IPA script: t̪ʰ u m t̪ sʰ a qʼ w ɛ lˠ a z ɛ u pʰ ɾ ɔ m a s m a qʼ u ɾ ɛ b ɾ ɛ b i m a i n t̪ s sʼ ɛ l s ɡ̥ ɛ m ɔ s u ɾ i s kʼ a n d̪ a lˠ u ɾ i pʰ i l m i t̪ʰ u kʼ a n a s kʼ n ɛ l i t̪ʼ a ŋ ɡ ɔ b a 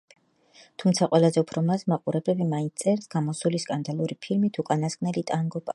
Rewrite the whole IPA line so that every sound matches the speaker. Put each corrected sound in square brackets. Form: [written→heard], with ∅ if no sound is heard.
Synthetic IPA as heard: t̪ʰ u m t̪ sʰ a qʼ w ɛ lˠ a z ɛ u pʰ ɾ ɔ m a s m a qʼ u ɾ ɛ b ɾ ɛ b i m a i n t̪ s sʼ ɛ [l→ɾ] s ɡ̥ [ɛ→a] m ɔ s u [ɾ→l] i s kʼ a n d̪ a lˠ u ɾ i pʰ i l m i t̪ʰ u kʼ a n a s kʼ n ɛ l i t̪ʼ a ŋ ɡ ɔ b a